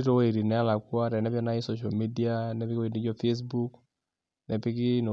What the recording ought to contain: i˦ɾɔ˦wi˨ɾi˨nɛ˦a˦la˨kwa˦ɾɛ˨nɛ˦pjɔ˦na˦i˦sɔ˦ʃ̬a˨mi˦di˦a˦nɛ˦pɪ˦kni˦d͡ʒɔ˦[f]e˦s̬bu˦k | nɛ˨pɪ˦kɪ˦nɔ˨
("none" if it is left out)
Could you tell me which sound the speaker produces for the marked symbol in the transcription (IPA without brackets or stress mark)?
f